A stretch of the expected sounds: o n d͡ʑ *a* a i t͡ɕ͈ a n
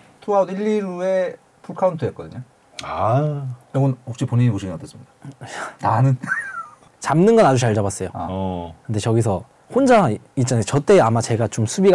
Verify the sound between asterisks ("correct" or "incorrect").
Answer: correct